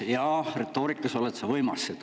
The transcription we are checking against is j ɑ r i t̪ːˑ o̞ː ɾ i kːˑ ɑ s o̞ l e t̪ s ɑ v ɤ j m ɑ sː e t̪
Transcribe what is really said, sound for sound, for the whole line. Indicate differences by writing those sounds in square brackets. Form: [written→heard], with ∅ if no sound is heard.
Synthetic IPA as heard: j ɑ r [i→e] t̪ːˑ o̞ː ɾ i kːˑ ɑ s o̞ l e t̪ s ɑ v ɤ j m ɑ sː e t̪